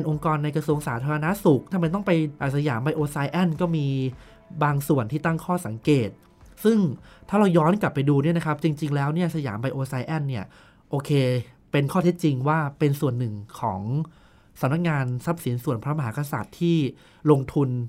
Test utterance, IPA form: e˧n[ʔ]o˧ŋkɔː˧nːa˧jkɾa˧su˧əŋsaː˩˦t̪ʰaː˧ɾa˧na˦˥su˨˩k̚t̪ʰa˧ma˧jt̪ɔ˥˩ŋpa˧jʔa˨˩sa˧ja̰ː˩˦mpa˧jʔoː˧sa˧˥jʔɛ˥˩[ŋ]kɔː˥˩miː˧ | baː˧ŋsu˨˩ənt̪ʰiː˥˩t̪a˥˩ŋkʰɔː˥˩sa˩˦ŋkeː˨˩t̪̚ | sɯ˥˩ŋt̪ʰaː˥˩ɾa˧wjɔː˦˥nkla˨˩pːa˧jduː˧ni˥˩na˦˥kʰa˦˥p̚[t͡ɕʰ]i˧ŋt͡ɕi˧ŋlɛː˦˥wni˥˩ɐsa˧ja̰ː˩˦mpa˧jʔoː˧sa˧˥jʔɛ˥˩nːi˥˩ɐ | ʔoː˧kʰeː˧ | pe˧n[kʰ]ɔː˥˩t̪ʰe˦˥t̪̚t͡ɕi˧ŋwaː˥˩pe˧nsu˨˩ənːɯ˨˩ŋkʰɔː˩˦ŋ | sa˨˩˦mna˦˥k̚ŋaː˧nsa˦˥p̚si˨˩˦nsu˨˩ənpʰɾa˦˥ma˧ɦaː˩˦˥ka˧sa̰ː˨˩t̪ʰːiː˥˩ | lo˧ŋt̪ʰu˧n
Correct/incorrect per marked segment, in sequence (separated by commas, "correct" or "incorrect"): correct, incorrect, incorrect, correct